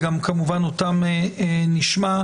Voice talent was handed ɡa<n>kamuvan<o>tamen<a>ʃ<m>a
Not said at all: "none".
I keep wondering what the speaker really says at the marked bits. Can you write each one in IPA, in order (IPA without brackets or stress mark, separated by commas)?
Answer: m, o, i, m